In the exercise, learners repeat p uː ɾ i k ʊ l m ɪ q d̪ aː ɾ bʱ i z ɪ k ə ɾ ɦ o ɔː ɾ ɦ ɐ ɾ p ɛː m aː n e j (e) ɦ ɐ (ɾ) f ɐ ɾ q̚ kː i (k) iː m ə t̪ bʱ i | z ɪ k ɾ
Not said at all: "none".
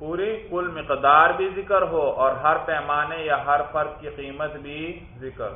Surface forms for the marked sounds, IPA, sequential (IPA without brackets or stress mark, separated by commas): a, ɾ, q